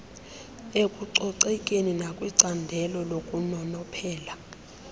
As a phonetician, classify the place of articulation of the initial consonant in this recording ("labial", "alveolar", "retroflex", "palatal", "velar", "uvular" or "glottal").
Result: velar